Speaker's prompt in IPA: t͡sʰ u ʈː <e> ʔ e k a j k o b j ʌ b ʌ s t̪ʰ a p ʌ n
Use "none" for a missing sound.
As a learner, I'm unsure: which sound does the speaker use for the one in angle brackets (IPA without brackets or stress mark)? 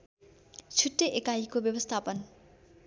e